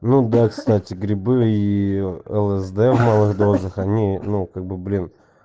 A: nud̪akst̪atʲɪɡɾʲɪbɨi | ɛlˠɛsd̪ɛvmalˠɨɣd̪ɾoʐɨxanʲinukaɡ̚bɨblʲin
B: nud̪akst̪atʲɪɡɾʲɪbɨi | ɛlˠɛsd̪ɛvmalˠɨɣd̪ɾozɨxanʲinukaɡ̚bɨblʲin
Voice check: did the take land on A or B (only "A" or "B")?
B